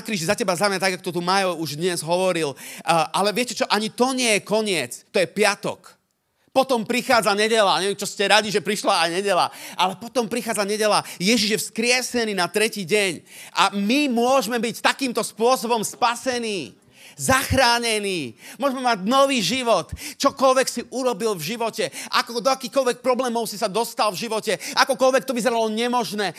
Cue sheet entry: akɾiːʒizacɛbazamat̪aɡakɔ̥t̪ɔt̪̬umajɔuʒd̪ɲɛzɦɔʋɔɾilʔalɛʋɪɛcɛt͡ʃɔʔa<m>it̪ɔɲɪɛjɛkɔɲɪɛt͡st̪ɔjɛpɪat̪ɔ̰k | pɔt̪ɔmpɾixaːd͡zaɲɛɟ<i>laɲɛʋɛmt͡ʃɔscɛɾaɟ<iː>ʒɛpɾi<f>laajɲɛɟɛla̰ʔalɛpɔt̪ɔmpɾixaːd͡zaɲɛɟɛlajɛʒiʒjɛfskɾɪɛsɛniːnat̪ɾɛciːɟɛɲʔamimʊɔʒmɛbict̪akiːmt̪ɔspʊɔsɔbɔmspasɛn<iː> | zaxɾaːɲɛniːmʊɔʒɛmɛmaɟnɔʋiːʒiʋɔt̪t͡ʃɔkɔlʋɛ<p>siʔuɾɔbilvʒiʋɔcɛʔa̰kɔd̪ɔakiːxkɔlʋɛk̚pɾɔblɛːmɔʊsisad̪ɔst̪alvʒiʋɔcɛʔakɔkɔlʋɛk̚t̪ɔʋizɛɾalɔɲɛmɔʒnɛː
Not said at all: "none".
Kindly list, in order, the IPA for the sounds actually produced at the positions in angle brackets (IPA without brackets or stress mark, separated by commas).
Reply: ɲ, ɛ, i, ʃ, iː, k